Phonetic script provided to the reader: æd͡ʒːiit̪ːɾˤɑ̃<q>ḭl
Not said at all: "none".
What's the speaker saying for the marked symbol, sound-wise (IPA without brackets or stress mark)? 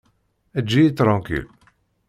k